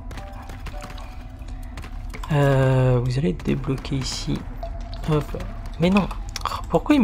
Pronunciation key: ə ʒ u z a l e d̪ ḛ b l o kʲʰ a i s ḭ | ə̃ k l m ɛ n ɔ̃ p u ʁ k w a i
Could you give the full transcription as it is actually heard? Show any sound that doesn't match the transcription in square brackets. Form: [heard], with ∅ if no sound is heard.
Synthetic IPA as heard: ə [v] u z a l e d̪ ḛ b l [ɔ] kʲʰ [e] i s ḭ | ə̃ [p] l m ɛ n ɔ̃ p u ʁ k w a i